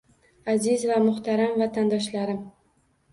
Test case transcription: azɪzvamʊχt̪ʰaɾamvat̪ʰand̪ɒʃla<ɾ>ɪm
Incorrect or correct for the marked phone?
correct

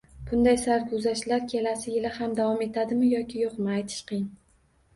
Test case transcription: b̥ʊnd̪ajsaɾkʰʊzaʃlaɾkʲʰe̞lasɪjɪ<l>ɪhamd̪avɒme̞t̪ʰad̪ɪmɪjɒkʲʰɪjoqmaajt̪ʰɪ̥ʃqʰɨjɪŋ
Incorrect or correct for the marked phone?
correct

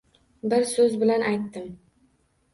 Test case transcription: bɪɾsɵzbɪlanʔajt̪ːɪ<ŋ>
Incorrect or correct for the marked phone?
incorrect: m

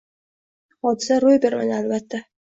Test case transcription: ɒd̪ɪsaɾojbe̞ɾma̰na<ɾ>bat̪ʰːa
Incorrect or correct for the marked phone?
incorrect: l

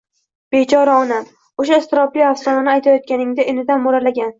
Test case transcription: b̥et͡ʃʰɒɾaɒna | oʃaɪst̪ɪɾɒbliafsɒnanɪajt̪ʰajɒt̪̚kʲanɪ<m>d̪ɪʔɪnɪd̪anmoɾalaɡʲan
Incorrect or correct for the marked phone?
incorrect: ŋ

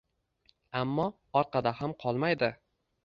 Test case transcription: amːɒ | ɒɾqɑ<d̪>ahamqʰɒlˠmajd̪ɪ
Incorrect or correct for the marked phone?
correct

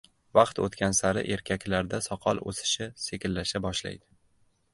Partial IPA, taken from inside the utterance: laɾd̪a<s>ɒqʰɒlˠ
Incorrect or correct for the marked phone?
correct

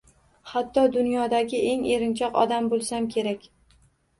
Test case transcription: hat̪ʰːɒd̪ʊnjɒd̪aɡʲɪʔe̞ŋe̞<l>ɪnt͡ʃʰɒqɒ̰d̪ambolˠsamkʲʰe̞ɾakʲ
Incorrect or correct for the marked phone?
incorrect: ɾ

